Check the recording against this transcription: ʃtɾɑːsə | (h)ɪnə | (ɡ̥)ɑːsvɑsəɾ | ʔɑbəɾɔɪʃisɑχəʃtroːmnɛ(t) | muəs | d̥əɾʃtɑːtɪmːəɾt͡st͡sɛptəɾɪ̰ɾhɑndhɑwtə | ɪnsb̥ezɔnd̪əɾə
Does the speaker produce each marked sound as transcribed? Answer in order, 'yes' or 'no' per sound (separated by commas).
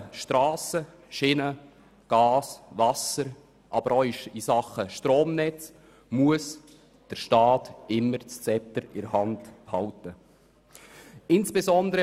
no, yes, no